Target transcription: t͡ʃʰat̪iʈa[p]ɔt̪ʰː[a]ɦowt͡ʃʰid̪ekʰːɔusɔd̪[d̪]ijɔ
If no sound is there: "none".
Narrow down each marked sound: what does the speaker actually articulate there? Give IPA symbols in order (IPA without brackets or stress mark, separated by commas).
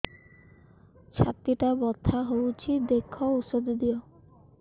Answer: b, a, d̪